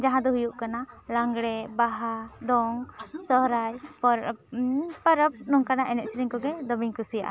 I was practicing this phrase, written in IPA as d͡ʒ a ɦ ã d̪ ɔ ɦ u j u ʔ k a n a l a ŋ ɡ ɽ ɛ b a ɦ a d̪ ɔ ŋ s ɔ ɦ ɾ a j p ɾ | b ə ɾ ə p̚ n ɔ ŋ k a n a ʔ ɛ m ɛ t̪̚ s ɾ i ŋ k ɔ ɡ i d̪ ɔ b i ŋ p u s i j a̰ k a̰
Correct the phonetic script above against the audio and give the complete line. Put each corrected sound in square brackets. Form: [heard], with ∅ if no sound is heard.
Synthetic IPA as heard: d͡ʒ a ɦ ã d̪ ɔ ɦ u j u ʔ k a n a l a ŋ ɡ ɽ ɛ b a ɦ a d̪ ɔ ŋ s ɔ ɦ ɾ a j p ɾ | [p] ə ɾ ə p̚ n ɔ ŋ k a n a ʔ ɛ [n] ɛ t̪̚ s ɾ i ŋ k ɔ ɡ [ɛ] d̪ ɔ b i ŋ [k] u s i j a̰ [ʔ] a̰

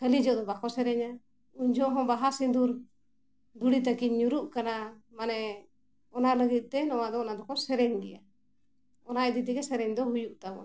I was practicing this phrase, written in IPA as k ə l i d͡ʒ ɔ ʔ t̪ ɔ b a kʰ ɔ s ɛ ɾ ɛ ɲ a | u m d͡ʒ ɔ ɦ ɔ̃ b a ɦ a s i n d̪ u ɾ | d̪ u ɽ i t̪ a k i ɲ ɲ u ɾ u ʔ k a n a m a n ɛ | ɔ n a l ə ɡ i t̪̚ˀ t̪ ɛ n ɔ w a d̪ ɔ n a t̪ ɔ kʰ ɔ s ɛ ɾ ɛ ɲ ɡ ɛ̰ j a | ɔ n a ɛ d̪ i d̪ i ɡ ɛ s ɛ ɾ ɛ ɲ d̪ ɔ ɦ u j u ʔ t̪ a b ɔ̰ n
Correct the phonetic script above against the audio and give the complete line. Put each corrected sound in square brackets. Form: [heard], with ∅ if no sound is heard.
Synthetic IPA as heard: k ə l i d͡ʒ ɔ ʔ [d̪] ɔ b a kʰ ɔ s ɛ ɾ ɛ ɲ a | u [ɲ] d͡ʒ ɔ ɦ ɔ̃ b a ɦ a s i n d̪ u ɾ | d̪ u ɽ i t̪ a k i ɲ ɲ u ɾ u ʔ k a n a m a n ɛ | ɔ n a l ə ɡ i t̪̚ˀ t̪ ɛ n ɔ w a d̪ ɔ n a [d̪] ɔ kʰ ɔ s ɛ ɾ ɛ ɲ ɡ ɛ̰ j a | ɔ n a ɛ d̪ i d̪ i ɡ ɛ s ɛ ɾ ɛ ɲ d̪ ɔ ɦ u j u ʔ t̪ a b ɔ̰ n

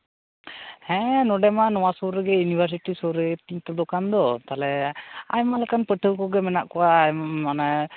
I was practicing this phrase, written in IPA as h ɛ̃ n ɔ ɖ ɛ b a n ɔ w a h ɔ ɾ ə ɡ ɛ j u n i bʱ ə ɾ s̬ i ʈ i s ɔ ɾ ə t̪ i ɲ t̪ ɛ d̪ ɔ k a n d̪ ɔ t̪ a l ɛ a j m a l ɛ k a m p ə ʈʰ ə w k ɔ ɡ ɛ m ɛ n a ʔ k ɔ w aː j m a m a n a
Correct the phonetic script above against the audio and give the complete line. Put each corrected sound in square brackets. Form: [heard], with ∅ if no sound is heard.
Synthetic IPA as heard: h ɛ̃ n ɔ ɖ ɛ [m] a n ɔ w a [s] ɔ ɾ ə ɡ ɛ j u n i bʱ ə ɾ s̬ i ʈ i s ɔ ɾ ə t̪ i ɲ t̪ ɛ d̪ ɔ k a n d̪ ɔ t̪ a l ɛ a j m a l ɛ k a [n] p ə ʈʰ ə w k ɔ ɡ ɛ m ɛ n a ʔ k ɔ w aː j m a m a n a

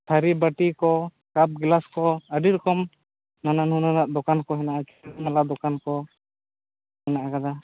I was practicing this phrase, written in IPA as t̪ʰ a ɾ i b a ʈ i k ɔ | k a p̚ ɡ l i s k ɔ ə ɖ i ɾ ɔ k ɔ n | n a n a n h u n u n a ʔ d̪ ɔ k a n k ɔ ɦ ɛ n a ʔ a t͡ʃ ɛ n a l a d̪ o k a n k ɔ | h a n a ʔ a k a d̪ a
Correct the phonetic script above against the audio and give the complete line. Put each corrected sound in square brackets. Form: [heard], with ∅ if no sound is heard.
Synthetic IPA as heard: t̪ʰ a ɾ i b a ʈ i k ɔ | k a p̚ ɡ l [a] s k ɔ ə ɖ i ɾ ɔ k ɔ [m] | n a n a n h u n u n a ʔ d̪ ɔ k a n k ɔ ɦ ɛ n a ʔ a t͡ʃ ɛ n a l a d̪ [ɔ] k a n k ɔ | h [ɛ] n a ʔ a k a d̪ a

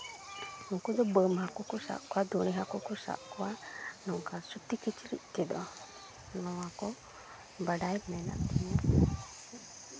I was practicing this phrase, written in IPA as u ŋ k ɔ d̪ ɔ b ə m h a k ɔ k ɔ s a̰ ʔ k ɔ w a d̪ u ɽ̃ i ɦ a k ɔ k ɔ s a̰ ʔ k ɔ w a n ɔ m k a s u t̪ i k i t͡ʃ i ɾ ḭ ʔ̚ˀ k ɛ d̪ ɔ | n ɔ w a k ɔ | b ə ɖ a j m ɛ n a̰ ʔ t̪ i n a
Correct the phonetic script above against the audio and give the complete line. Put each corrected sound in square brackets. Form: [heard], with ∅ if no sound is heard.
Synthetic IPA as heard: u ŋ k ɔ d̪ ɔ b ə m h a k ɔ k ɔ s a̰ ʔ k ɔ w a d̪ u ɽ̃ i ɦ a k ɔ k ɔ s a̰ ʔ k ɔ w a n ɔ [ŋ] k a s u t̪ i k i t͡ʃ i ɾ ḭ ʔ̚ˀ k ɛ d̪ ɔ | n ɔ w a k ɔ | b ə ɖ a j m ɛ n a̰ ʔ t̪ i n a

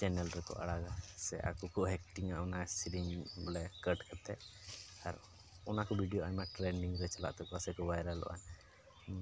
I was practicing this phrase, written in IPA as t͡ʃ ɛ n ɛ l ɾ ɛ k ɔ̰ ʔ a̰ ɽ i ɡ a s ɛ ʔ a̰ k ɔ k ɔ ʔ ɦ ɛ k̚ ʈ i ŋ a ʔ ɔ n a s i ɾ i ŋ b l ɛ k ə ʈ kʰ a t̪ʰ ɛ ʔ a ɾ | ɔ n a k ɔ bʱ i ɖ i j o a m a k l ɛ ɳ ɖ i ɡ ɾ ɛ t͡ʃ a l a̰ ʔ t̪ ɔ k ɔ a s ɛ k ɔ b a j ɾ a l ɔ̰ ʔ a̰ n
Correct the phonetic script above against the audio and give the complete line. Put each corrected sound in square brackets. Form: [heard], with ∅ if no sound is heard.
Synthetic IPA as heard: t͡ʃ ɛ n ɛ l ɾ ɛ k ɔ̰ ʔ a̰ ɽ [a] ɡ a s ɛ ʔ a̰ k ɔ k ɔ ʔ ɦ ɛ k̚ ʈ i ŋ a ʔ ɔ n a s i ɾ i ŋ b l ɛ k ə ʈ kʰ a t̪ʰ ɛ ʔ a ɾ | ɔ n a k ɔ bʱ i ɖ i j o a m a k l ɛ ɳ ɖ i [ŋ] ɾ ɛ t͡ʃ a l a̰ ʔ t̪ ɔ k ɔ a s ɛ k ɔ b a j ɾ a l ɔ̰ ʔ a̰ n

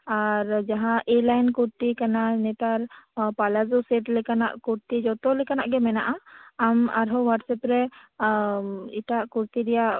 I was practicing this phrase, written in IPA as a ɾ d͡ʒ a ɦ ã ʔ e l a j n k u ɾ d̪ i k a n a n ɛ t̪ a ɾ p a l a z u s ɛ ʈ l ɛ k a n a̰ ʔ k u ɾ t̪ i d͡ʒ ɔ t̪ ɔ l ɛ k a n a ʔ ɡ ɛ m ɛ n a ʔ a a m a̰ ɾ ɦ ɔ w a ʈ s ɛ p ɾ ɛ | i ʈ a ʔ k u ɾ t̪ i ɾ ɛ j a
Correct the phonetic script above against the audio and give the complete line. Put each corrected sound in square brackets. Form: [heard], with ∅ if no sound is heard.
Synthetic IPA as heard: a ɾ d͡ʒ a ɦ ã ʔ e l a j n k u ɾ [t̪] i k a n a n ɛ t̪ a ɾ p a l a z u s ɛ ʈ l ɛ k a n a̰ ʔ k u ɾ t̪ i d͡ʒ ɔ t̪ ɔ l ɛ k a n a ʔ ɡ ɛ m ɛ n a ʔ a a m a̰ ɾ ɦ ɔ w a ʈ s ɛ p ɾ ɛ | i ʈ a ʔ k u ɾ t̪ i ɾ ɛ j a

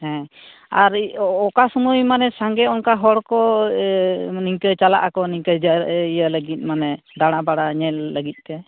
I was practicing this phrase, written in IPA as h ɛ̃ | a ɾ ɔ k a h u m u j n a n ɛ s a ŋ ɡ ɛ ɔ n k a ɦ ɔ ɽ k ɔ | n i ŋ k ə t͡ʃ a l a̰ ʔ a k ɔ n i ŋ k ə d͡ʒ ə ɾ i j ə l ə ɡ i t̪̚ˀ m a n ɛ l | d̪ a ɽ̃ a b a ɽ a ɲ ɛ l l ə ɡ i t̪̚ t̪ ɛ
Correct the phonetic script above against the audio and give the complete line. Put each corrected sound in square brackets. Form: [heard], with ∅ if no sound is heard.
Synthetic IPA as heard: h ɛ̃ | a ɾ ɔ k a [s] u m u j [m] a n ɛ s a ŋ ɡ ɛ ɔ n k a ɦ ɔ ɽ k ɔ | n i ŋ k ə t͡ʃ a l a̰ ʔ a k ɔ n i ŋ k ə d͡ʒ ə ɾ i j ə l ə ɡ i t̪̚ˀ m a n ɛ [∅] | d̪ a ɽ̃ a b a ɽ a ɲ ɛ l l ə ɡ i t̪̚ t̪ ɛ

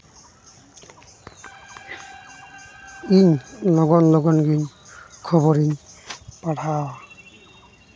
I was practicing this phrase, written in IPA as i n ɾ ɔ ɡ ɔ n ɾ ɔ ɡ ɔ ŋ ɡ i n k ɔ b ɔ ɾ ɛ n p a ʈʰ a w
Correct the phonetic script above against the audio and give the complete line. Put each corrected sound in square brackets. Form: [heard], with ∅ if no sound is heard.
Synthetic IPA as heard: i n [l] ɔ ɡ ɔ n [l] ɔ ɡ ɔ [n] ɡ i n [kʰ] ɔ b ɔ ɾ [i] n p a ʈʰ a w

